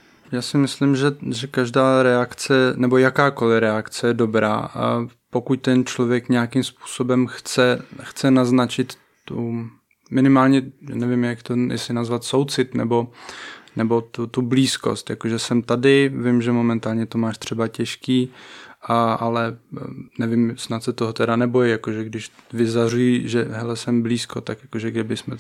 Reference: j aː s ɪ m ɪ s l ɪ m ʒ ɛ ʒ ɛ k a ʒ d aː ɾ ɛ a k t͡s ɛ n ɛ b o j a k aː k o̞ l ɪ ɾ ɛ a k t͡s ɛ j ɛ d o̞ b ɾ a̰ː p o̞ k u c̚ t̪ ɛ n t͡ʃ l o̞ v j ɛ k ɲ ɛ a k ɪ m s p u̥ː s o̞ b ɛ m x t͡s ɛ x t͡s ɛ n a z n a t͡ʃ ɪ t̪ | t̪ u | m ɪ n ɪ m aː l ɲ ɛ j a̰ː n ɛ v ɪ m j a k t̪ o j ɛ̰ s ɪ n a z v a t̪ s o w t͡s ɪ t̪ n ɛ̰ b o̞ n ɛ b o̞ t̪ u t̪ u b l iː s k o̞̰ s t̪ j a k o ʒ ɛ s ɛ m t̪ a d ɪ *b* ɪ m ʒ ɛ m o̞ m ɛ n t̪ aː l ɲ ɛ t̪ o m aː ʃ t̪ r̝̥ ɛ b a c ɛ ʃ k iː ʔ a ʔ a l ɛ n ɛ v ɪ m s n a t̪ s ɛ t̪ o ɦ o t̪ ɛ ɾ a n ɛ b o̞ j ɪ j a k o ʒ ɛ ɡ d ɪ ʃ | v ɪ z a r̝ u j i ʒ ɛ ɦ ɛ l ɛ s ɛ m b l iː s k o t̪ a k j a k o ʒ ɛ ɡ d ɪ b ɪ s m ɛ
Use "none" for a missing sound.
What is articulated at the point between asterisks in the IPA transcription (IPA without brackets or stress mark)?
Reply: v